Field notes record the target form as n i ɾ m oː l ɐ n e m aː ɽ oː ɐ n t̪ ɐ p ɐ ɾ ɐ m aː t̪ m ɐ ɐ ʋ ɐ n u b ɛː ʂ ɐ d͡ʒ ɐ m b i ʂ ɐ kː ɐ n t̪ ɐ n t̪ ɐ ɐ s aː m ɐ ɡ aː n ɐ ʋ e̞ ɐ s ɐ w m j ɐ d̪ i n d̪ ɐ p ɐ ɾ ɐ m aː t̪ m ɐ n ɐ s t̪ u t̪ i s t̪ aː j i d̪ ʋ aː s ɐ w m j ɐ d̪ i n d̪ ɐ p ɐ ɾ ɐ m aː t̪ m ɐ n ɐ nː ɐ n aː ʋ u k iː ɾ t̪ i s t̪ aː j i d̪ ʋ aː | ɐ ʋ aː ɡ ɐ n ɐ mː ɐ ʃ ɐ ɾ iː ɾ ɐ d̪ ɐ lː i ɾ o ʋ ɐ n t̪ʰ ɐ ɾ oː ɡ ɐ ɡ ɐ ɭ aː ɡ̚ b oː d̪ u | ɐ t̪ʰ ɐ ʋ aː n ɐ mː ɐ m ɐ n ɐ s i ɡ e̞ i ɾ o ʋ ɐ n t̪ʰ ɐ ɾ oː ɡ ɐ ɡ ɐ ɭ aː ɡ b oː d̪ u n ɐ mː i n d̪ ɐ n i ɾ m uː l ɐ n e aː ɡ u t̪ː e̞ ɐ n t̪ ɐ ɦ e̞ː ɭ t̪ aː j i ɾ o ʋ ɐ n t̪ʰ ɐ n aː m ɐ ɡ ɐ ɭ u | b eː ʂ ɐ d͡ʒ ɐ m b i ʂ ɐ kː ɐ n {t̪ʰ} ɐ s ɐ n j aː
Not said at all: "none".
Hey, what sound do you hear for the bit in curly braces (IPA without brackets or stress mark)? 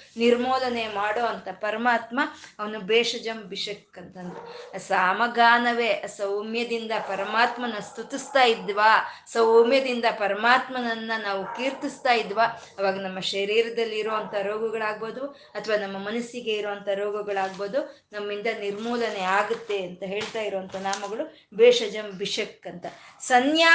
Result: t̪